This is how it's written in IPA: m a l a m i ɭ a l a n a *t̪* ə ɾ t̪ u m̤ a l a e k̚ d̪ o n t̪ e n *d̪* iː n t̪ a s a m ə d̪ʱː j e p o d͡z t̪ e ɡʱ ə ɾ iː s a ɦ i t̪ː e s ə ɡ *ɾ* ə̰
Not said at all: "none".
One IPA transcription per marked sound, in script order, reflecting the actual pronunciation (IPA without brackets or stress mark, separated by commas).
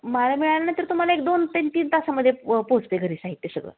t̪, t̪, ɭ